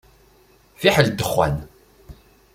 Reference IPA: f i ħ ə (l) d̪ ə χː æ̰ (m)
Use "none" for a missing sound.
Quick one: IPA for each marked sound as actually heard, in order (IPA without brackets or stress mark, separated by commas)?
l, n